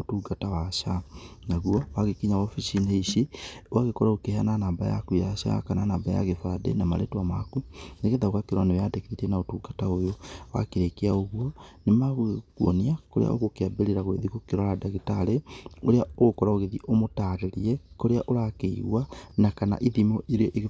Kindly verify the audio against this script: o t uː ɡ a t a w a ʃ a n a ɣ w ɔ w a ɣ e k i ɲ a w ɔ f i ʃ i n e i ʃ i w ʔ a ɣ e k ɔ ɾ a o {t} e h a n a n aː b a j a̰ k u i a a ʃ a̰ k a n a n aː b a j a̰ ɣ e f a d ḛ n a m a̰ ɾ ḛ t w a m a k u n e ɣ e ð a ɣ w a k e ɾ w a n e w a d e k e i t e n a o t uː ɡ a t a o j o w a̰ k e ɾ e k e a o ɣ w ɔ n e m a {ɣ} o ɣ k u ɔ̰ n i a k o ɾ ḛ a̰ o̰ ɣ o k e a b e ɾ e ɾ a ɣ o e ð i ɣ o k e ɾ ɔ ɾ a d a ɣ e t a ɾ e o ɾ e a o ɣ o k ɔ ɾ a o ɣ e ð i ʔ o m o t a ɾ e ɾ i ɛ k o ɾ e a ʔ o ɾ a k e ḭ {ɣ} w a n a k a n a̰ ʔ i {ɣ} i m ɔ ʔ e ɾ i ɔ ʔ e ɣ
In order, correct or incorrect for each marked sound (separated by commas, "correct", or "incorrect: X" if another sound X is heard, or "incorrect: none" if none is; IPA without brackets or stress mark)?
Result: incorrect: k, correct, correct, incorrect: ð